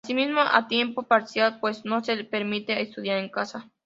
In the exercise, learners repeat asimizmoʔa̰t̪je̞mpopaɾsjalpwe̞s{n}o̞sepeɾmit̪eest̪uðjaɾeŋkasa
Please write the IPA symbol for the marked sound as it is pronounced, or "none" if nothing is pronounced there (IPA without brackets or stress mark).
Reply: n